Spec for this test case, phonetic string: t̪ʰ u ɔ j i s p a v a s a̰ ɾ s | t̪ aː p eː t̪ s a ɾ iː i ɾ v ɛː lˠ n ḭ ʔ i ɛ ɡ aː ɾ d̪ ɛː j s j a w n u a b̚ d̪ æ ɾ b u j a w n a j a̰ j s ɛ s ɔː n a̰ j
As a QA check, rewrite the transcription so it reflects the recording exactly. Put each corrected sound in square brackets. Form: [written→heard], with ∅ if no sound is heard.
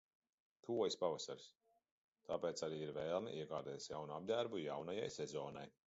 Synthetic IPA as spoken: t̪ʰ u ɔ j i s p a v a s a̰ ɾ s | t̪ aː p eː t̪ s a ɾ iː i ɾ v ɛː lˠ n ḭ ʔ i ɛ ɡ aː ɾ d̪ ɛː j s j a w n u a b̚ d̪ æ ɾ b u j a w n a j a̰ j s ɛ [s→z] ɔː n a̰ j